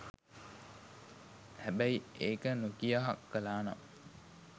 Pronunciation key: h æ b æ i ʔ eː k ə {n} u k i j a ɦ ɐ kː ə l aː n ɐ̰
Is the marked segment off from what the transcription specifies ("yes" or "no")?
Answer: no